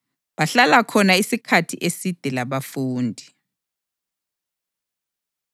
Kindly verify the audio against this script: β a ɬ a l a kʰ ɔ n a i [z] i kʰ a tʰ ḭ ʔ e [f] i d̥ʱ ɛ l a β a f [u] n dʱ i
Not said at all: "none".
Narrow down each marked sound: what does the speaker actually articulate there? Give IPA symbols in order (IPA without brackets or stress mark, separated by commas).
s, s, uː